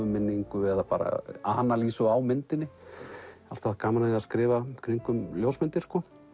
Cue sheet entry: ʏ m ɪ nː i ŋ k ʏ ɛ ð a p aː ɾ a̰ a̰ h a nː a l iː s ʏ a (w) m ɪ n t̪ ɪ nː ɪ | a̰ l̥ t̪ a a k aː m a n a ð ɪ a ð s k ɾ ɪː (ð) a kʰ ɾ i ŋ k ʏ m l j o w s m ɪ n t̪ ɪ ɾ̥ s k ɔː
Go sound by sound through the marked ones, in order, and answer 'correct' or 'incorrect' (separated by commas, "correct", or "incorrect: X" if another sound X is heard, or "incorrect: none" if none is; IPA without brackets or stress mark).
correct, incorrect: v